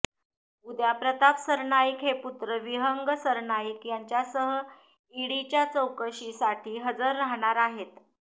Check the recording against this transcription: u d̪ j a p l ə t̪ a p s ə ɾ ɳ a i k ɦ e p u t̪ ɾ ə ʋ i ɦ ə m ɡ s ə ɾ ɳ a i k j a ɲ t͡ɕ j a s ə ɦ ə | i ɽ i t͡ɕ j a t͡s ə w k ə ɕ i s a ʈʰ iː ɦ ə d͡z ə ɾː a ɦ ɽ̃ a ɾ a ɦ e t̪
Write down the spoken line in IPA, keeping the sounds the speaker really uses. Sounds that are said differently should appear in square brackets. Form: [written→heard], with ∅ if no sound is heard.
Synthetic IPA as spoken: u d̪ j a p [l→ɾ] ə t̪ a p s ə ɾ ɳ a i k ɦ e p u t̪ ɾ ə ʋ i ɦ ə [m→ŋ] ɡ s ə ɾ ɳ a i k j a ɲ t͡ɕ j a s ə ɦ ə | i ɽ i t͡ɕ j a t͡s ə w k ə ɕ i s a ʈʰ iː ɦ ə d͡z ə ɾː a ɦ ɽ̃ a ɾ a ɦ e t̪